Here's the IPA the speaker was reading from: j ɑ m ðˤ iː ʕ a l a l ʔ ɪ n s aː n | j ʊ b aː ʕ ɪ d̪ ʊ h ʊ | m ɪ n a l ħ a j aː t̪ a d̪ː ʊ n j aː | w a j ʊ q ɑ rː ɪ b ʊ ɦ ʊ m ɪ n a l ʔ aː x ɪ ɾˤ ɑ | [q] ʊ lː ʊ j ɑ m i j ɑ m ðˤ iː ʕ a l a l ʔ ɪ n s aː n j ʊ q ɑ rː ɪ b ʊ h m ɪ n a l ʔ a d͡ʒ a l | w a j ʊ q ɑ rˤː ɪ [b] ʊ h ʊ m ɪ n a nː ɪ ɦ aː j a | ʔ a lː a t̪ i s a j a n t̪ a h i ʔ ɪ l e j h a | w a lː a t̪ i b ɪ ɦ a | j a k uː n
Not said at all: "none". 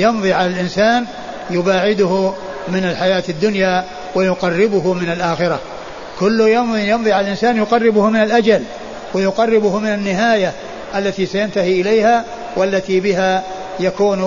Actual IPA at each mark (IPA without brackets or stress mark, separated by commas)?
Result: k, b